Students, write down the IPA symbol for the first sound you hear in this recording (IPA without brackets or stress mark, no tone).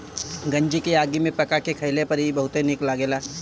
ɡ